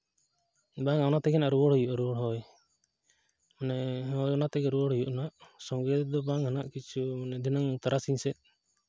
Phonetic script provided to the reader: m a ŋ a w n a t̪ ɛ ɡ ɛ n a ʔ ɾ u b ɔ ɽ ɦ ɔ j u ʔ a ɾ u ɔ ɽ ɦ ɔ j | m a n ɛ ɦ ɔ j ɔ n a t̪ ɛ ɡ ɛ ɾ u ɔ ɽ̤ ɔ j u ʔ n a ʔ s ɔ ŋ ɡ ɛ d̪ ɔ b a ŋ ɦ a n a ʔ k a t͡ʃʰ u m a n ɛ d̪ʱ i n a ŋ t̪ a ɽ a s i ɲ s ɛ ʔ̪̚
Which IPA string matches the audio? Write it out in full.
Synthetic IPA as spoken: b a ŋ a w n a t̪ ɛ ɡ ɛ n a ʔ ɾ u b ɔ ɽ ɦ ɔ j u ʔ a ɾ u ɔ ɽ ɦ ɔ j | m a n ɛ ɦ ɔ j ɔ n a t̪ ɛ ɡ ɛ ɾ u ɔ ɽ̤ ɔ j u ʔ n a ʔ s ɔ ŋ ɡ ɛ d̪ ɔ b a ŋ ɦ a n a ʔ k i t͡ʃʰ u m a n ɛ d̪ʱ i n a ŋ t̪ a ɾ a s i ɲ s ɛ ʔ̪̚